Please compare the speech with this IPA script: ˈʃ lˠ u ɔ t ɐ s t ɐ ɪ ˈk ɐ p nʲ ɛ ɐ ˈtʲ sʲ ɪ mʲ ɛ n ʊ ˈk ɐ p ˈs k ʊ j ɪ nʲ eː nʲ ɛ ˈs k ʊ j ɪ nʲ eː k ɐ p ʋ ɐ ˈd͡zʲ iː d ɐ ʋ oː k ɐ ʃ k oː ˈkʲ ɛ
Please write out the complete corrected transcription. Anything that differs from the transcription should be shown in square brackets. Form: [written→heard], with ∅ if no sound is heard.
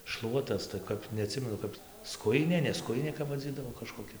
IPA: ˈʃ lˠ u ɔ t ɐ s t ɐ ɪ ˈk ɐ p nʲ ɛ ɐ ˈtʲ sʲ ɪ mʲ ɛ n ʊ ˈk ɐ p ˈs k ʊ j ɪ nʲ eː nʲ ɛ ˈs k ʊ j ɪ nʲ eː k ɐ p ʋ ɐ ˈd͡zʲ iː d ɐ ʋ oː k ɐ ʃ k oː ˈkʲ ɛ